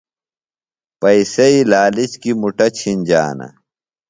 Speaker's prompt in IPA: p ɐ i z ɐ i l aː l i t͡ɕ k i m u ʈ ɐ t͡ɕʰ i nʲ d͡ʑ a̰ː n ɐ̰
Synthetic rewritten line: p ɐ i s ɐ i l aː l i t͡ɕ k i m u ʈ ɐ t͡ɕʰ i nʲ d͡ʑ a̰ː n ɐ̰